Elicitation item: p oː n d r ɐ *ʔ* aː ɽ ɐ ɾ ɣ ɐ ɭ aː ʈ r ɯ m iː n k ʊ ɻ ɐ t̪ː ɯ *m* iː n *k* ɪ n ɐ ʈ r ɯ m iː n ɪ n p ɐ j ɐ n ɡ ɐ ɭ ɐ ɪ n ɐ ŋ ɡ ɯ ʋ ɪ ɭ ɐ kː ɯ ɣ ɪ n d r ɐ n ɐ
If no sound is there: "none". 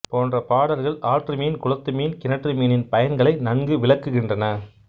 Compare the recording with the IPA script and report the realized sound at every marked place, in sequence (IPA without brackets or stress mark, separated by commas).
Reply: p, m, k